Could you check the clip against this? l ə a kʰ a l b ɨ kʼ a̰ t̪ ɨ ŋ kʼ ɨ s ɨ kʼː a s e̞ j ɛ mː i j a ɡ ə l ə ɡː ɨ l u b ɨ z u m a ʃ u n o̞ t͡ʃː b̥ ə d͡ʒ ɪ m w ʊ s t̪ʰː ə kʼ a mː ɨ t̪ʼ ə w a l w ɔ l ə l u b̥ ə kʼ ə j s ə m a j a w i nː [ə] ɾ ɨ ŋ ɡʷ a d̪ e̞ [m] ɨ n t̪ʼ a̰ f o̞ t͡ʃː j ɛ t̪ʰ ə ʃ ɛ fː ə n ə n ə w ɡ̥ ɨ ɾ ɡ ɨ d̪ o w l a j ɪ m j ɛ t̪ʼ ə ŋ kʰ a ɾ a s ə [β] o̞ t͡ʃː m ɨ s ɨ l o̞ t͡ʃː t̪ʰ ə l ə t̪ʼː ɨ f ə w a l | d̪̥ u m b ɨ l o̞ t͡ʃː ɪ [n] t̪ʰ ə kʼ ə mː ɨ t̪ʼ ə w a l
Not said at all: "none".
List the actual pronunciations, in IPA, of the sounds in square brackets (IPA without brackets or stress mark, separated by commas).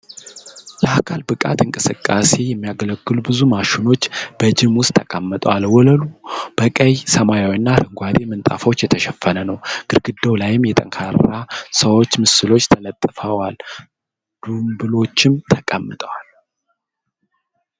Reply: a, m, w, m